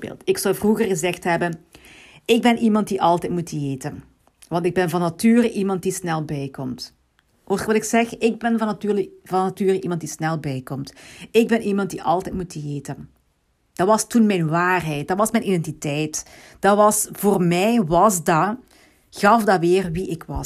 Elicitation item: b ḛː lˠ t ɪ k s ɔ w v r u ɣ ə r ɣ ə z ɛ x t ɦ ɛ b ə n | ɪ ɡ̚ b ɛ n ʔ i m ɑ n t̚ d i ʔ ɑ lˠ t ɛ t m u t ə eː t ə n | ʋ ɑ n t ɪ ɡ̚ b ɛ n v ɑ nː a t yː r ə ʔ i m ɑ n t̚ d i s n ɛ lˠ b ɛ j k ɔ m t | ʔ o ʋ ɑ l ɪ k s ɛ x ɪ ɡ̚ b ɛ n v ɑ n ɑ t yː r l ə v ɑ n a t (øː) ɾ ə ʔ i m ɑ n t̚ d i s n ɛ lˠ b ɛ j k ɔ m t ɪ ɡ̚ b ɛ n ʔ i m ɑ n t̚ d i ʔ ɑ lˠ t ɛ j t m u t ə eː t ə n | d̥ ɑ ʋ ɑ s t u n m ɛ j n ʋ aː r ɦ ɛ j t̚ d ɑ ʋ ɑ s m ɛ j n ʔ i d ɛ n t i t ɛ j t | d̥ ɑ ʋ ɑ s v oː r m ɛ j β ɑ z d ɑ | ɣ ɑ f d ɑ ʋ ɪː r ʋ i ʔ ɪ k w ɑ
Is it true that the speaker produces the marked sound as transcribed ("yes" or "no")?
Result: no